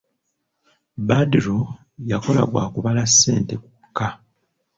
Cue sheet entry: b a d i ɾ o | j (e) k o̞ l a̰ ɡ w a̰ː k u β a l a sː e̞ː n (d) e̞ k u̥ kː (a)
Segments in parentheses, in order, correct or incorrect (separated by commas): incorrect, incorrect, correct